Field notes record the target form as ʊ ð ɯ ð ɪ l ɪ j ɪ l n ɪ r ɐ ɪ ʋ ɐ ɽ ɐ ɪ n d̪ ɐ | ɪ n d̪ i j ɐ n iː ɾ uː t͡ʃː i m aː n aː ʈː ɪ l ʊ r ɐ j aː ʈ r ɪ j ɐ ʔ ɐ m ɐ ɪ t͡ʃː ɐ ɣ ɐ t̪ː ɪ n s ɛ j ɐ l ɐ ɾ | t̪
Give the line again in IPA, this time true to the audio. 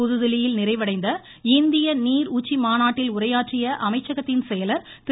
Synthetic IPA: ʊ ð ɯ ð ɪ l ɪ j ɪ l n ɪ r ɐ ɪ ʋ ɐ ɽ ɐ ɪ n d̪ ɐ | ɪ n d̪ ɪ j ɐ n iː ɾ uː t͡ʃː i m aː n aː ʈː ɪ l ʊ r ɐ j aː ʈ r ɪ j ɐ ʔ ɐ m ɐ ɪ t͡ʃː ɐ ɣ ɐ t̪ː ɪ n s ɛ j ɐ l ɐ ɾ | t̪